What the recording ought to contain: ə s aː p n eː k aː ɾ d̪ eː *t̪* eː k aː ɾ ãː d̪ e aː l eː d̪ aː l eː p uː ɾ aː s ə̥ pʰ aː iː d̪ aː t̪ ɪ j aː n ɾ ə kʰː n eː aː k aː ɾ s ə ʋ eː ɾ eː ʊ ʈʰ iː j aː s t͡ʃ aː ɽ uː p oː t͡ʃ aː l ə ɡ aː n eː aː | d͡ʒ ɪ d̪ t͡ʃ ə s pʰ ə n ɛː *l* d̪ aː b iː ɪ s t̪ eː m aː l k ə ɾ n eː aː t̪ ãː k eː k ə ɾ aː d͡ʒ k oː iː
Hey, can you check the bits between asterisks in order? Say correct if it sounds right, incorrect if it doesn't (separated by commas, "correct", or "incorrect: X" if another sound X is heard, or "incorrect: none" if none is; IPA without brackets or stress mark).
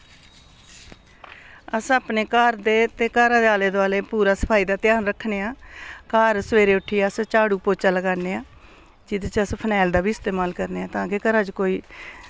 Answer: correct, correct